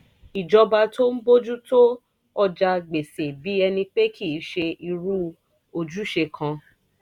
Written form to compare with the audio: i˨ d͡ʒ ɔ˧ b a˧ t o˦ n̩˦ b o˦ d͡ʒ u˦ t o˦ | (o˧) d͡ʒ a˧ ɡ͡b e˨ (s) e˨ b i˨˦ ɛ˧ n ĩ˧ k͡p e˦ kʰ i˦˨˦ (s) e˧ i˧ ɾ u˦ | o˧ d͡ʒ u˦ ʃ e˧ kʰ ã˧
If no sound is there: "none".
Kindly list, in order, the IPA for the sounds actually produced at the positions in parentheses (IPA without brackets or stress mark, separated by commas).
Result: ɔ˧, s, ʃ